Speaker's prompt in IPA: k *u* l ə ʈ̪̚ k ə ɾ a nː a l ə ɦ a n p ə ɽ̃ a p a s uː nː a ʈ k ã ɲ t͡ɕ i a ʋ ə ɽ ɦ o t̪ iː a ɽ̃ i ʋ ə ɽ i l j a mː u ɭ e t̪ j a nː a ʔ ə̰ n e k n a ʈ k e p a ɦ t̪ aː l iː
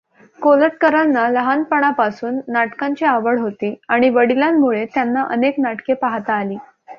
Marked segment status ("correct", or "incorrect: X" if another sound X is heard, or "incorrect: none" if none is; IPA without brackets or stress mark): incorrect: o